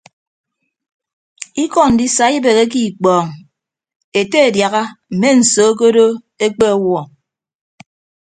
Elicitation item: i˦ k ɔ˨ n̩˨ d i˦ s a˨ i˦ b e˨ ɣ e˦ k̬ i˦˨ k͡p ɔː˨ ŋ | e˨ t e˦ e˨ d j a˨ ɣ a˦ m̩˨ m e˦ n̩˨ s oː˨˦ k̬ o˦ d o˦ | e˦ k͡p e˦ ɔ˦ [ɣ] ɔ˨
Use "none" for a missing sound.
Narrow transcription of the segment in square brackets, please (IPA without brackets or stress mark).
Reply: w